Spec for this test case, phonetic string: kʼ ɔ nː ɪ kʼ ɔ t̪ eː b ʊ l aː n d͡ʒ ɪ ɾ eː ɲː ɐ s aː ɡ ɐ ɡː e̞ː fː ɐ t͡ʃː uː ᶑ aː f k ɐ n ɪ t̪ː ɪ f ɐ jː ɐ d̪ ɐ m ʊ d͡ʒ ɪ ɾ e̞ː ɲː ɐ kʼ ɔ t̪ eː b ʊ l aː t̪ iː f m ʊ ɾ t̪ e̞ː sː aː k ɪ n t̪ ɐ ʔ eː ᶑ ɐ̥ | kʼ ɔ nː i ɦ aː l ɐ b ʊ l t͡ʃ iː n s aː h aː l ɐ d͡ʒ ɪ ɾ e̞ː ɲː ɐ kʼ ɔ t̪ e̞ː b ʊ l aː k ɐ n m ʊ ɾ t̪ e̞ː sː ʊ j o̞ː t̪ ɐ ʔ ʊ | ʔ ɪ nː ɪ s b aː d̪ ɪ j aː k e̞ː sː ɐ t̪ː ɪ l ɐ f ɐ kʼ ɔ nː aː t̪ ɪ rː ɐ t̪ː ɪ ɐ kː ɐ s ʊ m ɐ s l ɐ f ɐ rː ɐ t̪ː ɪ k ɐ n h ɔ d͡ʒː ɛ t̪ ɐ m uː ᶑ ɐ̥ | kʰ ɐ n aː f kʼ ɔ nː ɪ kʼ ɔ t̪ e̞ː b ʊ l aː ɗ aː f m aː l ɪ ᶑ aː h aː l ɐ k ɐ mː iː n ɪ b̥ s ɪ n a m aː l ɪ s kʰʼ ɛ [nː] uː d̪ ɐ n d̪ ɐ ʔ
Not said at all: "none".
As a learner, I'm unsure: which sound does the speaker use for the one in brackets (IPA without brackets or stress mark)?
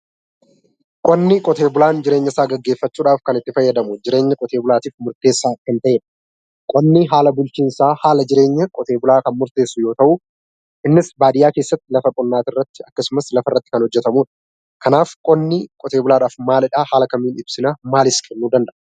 nː